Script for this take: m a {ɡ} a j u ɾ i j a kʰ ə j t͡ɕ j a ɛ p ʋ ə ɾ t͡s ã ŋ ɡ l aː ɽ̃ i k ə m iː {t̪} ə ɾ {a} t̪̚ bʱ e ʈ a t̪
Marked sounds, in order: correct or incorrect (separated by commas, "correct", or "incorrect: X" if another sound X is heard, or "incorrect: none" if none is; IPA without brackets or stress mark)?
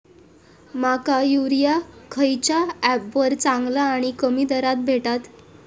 incorrect: k, incorrect: d̪, correct